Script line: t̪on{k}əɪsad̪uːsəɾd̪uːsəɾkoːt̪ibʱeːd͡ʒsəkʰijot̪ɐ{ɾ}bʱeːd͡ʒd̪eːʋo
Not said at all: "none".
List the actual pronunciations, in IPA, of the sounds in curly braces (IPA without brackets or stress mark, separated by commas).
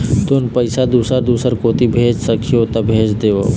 p, none